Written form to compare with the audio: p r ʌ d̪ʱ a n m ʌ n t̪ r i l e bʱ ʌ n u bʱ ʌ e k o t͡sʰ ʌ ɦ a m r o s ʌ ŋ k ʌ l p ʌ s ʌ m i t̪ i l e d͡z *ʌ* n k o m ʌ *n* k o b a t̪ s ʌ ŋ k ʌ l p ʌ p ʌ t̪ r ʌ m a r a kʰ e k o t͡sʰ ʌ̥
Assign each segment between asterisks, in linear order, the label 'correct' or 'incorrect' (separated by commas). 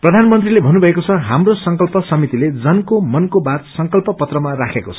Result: correct, correct